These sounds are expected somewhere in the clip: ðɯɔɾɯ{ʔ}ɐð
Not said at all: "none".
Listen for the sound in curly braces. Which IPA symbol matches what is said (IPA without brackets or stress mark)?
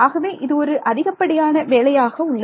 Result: ʔ